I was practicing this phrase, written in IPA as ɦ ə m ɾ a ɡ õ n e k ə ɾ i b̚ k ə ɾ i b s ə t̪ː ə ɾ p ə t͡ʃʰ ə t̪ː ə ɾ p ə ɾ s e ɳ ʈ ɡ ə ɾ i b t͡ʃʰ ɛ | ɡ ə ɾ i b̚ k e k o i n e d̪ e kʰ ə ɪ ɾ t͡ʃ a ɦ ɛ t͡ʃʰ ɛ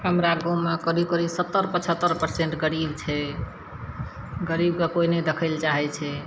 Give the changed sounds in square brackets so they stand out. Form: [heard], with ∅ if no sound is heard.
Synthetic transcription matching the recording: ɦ ə m ɾ a ɡ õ [m] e k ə ɾ i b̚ k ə ɾ i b s ə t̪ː ə ɾ p ə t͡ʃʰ ə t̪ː ə ɾ p ə ɾ s e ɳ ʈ ɡ ə ɾ i b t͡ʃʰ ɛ | ɡ ə ɾ i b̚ k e k o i n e d̪ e kʰ ə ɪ [l] t͡ʃ a ɦ ɛ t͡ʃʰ ɛ